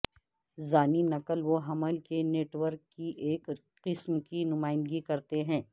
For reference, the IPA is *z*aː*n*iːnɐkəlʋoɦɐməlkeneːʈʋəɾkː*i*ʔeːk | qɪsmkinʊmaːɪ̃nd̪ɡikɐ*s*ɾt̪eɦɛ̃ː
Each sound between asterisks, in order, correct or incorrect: correct, correct, correct, incorrect

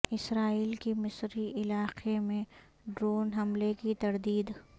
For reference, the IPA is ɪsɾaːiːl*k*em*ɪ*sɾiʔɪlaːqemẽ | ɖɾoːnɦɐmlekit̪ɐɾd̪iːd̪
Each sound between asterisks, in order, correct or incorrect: correct, correct

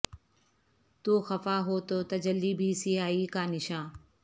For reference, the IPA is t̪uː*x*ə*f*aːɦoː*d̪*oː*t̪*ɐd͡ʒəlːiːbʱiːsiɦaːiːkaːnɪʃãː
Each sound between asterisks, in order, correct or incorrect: correct, correct, incorrect, correct

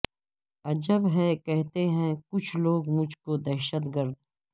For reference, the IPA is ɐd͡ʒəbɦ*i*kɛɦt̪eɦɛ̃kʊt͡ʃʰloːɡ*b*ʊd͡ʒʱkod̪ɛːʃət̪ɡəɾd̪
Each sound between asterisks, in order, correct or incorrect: incorrect, incorrect

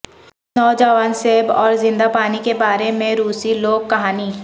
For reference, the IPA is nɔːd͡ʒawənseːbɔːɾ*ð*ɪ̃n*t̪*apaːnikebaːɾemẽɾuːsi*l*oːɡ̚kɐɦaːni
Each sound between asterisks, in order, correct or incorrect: incorrect, incorrect, correct

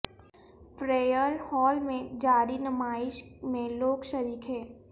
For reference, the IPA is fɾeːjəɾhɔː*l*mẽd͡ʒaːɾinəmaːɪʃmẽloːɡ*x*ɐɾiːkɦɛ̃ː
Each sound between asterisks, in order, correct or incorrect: correct, incorrect

